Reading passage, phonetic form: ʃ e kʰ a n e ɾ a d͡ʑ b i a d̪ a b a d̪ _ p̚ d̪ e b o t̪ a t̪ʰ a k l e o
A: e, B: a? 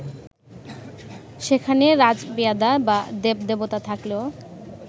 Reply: A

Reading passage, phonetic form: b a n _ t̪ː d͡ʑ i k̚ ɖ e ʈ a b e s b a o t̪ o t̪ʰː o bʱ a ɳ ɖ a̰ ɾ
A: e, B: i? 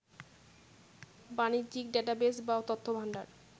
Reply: B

